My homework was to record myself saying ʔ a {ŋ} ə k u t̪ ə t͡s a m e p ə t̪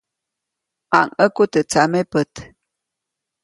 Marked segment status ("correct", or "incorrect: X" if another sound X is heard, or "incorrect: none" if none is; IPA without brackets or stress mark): correct